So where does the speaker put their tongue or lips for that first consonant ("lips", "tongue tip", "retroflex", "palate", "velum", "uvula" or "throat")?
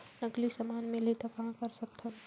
tongue tip